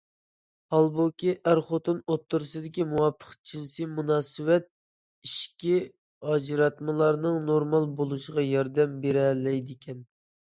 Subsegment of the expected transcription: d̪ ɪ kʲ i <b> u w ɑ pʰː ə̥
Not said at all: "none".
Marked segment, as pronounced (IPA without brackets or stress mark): m